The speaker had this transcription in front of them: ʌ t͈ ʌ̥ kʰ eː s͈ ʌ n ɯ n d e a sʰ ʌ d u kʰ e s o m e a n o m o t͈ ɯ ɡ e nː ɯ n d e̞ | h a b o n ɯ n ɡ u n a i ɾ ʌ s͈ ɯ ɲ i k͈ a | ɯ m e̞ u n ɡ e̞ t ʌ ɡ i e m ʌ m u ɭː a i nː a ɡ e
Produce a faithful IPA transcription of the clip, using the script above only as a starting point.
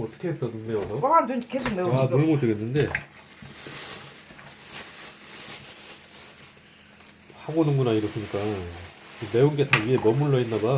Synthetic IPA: ʌ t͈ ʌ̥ kʰ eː s͈ ʌ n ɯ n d e ʌ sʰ ʌ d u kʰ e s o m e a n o m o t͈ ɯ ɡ e nː ɯ n d e̞ | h a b o n ɯ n ɡ u n a i ɾ ʌ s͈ ɯ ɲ i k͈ a | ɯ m e̞ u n ɡ e̞ t a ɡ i e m ʌ m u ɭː ʌ i nː a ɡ a

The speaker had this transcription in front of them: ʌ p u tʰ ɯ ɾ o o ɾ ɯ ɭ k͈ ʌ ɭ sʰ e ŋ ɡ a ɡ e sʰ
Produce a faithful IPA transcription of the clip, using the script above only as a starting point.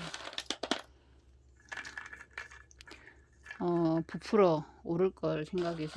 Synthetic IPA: ʌ p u pʰ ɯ ɾ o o ɾ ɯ ɭ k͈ ʌ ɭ sʰ e ŋ ɡ a ɡ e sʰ

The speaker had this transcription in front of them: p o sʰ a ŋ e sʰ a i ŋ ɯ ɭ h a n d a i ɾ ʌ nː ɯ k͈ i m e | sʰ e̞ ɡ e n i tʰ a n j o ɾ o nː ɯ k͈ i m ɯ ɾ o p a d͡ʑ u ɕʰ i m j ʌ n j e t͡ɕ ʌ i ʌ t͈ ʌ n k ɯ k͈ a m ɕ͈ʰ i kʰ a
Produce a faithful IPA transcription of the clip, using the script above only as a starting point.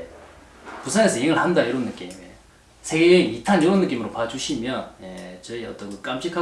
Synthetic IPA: p u sʰ a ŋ e sʰ ʌ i ŋ ɯ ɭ h a n d a i ɾ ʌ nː ɯ k͈ i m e | sʰ e̞ ɡ e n i tʰ a n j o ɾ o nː ɯ k͈ i m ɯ ɾ o p a d͡ʑ u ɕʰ i m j ʌ n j e t͡ɕ ʌ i ʌ t͈ ʌ n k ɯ k͈ a m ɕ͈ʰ i kʰ a

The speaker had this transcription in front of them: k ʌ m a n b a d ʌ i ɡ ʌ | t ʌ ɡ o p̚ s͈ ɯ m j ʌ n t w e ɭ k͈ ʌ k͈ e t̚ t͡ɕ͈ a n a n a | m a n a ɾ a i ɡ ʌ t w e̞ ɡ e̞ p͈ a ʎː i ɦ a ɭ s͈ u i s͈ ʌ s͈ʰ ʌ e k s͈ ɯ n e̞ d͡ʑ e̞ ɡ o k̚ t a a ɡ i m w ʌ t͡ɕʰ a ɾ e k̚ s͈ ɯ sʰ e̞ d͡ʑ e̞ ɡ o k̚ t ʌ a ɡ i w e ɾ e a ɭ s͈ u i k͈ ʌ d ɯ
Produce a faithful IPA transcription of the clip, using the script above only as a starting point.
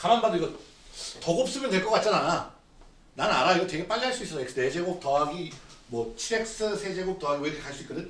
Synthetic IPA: k a m a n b a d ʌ i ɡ ʌ | t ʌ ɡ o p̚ s͈ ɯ m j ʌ n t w e ɭ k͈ ʌ k͈ a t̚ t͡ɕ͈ a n a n a | n a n a ɾ a i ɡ ʌ t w e̞ ɡ e̞ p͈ a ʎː i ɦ a ɭ s͈ u i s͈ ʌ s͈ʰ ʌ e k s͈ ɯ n e̞ d͡ʑ e̞ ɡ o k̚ t ʌ a ɡ i m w ʌ t͡ɕʰ i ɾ e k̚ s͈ ɯ sʰ e̞ d͡ʑ e̞ ɡ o k̚ t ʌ a ɡ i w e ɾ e a ɭ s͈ u i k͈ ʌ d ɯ

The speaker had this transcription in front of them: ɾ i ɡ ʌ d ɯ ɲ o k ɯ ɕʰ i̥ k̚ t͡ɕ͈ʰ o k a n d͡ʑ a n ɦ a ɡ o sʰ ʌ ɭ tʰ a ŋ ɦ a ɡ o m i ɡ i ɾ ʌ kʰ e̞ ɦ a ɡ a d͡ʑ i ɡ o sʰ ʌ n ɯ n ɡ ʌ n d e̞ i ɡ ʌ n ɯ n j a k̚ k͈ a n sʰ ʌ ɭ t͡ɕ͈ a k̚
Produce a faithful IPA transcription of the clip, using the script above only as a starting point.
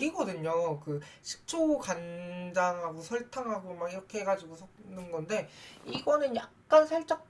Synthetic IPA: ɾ i ɡ ʌ d ɯ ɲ o k ɯ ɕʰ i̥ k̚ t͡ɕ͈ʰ o k a n d͡ʑ a ŋ ɦ a ɡ o sʰ ʌ ɭ tʰ a ŋ ɦ a ɡ o m a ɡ i ɾ ʌ kʰ e̞ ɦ e ɡ a d͡ʑ i ɡ o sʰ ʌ n ɯ n ɡ ʌ n d e̞ i ɡ ʌ n ɯ n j a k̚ k͈ a n sʰ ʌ ɭ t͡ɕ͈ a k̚

